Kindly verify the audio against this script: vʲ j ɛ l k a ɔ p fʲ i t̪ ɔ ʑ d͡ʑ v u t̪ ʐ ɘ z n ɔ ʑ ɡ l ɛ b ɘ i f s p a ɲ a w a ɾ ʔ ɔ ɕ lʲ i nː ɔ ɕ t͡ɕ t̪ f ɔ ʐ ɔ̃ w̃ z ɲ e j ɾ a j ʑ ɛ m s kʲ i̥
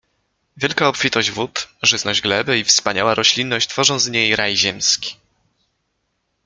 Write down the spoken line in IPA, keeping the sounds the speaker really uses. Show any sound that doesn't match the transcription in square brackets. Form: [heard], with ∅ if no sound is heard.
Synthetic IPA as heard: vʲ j ɛ l k a ɔ p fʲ i t̪ ɔ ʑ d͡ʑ v u t̪ ʐ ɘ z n ɔ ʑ ɡ l ɛ b ɘ i f s p a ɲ a w a ɾ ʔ ɔ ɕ lʲ i nː ɔ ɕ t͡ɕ t̪ f ɔ ʐ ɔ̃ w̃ z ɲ e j ɾ a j ʑ ɛ m s kʲ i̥